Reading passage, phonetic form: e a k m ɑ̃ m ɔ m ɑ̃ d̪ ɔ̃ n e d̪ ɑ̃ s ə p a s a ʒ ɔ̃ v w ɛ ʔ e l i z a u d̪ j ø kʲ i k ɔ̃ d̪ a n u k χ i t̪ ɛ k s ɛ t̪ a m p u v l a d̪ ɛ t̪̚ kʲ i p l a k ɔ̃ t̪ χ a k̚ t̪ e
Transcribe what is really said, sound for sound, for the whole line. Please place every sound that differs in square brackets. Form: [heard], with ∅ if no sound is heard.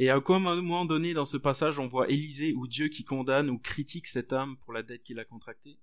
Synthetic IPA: e a k m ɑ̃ m ɔ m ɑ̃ d̪ [ɔ] n e d̪ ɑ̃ s ə p a s a ʒ ɔ̃ v w [a] ʔ e l i z [e] u d̪ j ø kʲ i k ɔ̃ d̪ a n u k χ i t̪ [i] k s ɛ t̪ a m p u [ʁ] l a d̪ ɛ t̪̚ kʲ i [∅] l a k ɔ̃ t̪ χ a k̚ t̪ e